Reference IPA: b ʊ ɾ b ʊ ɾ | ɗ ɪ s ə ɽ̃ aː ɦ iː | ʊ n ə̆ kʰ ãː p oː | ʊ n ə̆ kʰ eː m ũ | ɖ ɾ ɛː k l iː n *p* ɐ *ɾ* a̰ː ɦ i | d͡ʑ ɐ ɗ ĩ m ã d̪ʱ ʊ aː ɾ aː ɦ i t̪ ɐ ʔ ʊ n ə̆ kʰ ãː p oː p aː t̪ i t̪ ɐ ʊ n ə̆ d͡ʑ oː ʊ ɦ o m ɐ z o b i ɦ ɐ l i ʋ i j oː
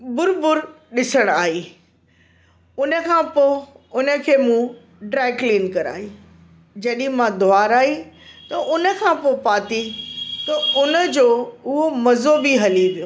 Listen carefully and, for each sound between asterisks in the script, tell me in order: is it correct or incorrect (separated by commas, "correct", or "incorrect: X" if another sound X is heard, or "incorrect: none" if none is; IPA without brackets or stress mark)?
incorrect: k, correct